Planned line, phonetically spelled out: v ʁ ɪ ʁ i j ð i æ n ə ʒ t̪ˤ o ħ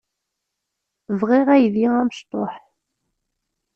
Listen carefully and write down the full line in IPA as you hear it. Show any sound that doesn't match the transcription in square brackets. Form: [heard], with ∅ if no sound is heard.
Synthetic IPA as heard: v ʁ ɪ ʁ [æ] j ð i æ [m] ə [ʃ] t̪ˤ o ħ